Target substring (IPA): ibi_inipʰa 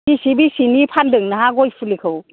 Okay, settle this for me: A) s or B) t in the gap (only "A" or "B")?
A